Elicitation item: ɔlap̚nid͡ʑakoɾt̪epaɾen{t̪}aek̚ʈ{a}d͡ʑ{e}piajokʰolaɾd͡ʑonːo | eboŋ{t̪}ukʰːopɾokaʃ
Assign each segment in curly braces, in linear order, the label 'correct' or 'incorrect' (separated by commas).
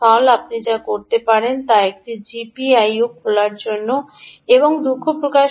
correct, incorrect, incorrect, incorrect